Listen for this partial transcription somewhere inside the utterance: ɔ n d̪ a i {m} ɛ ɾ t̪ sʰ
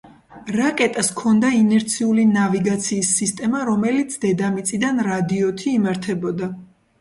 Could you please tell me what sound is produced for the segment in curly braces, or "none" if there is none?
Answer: n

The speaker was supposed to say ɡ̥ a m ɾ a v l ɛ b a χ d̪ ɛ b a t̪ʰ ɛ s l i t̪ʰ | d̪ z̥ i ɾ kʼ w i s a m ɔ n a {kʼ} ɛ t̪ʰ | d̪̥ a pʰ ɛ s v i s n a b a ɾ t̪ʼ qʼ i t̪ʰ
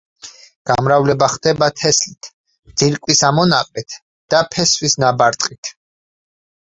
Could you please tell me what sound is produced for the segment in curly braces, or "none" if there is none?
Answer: qʼ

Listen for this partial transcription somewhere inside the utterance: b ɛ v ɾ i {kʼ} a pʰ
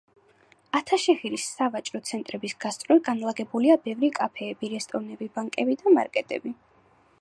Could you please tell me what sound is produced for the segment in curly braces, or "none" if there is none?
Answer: kʼ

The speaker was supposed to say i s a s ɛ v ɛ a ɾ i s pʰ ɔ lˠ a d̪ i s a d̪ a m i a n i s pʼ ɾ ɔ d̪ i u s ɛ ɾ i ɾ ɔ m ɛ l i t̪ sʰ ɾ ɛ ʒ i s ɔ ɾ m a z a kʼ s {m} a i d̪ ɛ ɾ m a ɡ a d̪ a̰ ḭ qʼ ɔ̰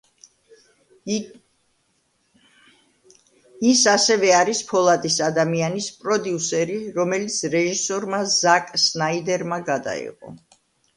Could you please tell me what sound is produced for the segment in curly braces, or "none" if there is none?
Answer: n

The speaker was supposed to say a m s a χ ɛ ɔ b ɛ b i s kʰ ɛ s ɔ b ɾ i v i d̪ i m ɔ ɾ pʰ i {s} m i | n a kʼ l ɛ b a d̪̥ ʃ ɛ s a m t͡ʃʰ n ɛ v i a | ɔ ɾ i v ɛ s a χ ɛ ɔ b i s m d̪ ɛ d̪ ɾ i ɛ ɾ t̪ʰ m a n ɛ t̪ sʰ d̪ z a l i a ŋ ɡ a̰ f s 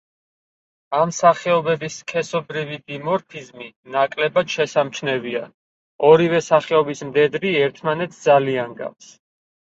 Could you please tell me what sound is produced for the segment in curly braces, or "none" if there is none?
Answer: z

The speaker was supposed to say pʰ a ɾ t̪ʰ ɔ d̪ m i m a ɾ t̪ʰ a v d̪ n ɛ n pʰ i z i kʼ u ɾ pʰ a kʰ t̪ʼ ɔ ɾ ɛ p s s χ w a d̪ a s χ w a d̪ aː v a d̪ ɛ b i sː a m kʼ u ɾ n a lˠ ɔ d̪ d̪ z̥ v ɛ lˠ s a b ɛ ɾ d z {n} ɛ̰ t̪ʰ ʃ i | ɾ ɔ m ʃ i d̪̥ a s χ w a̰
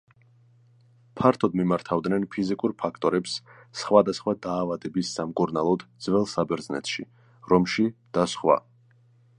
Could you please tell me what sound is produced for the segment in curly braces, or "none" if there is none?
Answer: n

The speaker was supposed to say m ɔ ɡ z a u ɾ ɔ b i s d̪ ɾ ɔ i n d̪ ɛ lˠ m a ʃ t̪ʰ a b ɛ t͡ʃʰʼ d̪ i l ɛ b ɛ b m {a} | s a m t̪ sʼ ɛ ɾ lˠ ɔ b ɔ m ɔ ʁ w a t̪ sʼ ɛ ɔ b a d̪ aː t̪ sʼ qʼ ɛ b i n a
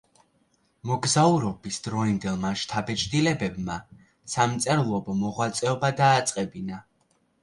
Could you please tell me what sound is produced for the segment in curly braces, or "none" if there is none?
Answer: a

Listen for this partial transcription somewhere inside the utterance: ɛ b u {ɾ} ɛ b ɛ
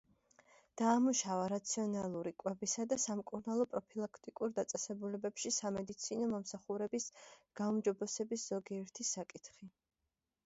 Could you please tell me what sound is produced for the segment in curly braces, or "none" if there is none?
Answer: l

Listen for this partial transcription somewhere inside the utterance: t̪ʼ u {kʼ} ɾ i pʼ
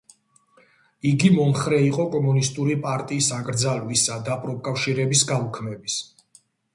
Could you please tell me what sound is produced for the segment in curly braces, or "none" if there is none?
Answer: none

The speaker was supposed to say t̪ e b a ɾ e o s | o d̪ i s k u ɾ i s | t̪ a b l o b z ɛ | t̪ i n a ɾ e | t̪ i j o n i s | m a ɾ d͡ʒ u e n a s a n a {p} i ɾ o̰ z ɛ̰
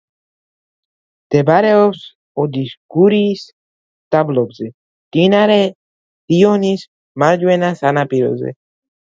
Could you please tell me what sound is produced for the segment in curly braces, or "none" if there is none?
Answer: p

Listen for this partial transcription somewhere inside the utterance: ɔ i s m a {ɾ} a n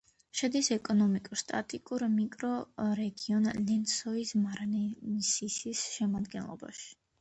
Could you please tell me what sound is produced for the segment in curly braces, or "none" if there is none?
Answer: ɾ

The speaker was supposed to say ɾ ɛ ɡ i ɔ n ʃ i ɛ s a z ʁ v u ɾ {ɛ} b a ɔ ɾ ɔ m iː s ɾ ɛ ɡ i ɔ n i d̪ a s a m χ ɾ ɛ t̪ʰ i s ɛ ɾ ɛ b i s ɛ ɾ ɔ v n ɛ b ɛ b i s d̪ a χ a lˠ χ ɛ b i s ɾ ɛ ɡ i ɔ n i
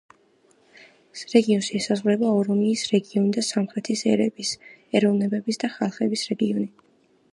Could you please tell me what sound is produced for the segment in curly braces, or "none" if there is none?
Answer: ɛ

